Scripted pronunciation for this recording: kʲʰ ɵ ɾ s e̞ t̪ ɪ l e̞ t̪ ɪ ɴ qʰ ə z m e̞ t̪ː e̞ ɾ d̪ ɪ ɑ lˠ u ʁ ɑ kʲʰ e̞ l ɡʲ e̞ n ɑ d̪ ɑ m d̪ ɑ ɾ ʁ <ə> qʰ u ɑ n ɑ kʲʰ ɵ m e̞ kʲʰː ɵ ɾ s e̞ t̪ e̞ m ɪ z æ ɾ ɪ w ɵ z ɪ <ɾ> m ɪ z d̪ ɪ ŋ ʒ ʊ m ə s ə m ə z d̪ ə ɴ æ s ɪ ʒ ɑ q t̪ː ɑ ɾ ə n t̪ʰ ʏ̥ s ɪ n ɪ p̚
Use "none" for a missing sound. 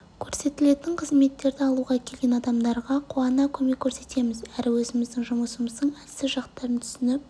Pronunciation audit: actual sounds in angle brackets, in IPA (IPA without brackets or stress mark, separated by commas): ɑ, none